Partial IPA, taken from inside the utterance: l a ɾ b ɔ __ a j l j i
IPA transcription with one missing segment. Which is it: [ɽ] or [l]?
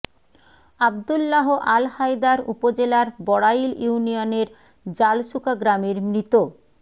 ɽ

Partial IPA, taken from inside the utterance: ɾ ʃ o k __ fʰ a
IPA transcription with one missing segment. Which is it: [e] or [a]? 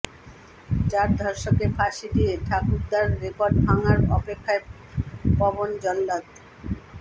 e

